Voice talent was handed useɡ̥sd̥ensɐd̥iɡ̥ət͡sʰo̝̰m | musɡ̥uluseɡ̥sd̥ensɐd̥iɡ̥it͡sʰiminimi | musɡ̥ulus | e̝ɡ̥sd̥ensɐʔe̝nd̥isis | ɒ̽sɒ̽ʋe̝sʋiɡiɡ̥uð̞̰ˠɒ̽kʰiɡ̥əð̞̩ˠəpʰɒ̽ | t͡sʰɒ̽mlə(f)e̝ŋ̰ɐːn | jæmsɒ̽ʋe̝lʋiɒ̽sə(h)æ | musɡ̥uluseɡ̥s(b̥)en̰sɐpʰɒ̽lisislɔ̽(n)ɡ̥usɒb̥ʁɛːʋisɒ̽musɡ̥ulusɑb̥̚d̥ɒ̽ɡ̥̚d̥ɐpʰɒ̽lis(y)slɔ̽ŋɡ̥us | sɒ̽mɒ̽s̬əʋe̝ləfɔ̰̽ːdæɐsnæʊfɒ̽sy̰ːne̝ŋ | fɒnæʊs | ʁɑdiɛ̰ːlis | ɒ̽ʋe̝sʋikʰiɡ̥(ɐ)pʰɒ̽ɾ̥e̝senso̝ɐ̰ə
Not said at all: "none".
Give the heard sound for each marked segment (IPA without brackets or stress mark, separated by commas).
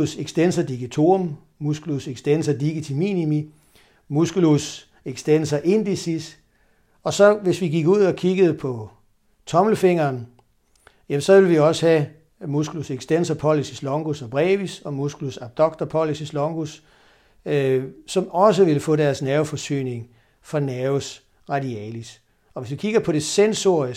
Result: f, h, d̥, ŋ, i, ɐ